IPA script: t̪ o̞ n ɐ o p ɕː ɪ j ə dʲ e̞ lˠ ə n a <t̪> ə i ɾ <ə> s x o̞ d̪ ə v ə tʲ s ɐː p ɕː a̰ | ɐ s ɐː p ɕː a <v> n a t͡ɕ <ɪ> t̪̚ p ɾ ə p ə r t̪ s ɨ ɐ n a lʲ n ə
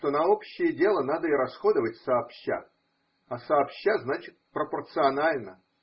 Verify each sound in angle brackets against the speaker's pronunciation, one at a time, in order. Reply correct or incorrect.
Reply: incorrect: d̪, incorrect: ɐ, incorrect: z, correct

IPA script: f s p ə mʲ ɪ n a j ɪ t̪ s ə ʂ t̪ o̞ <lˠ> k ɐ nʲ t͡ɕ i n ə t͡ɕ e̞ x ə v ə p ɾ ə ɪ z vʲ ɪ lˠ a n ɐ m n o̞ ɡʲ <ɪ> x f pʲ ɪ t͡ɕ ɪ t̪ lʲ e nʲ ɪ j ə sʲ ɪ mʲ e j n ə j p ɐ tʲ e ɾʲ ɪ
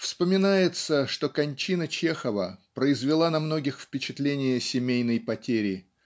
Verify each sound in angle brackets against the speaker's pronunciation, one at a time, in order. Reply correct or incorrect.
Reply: incorrect: none, correct

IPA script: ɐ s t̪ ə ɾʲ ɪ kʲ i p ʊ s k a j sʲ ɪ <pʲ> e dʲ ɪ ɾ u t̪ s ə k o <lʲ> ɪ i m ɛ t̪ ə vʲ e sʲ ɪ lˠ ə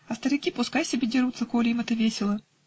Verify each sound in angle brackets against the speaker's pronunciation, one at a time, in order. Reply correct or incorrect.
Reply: incorrect: bʲ, correct

